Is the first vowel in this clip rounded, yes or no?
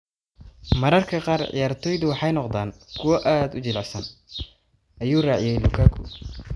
no